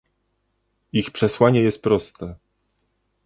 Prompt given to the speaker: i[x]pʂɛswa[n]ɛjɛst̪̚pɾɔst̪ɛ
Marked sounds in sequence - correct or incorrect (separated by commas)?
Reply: correct, incorrect